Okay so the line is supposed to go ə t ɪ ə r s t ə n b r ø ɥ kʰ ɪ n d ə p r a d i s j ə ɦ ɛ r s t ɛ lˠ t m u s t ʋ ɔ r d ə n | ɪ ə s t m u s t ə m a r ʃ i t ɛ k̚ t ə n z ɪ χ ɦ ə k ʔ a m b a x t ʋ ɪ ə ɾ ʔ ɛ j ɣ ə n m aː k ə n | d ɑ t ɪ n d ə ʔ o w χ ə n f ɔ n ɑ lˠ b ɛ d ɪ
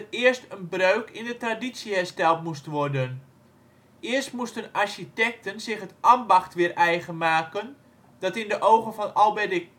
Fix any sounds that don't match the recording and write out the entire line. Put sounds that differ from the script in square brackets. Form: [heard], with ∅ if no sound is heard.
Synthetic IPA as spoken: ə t ɪ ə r s t ə n b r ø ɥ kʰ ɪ n d ə [t] r a d i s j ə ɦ ɛ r s t ɛ lˠ t m u s t ʋ ɔ r d ə n | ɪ ə s t m u s t ə [n] a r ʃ i t ɛ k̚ t ə n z ɪ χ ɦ ə [t] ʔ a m b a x t ʋ ɪ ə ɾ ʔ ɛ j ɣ ə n m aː k ə n | d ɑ t ɪ n d ə ʔ o w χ ə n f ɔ n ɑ lˠ b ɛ d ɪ